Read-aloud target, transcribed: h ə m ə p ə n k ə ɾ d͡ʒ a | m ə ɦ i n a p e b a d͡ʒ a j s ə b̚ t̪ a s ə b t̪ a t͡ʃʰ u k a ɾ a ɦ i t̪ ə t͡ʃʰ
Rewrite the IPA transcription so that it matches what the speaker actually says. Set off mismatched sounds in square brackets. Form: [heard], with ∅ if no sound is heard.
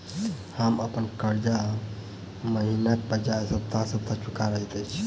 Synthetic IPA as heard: h ə m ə p ə n k ə ɾ d͡ʒ a | m ə ɦ i n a [k] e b [ə] d͡ʒ a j s ə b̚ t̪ a s ə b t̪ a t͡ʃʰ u k a ɾ [ə] ɦ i t̪ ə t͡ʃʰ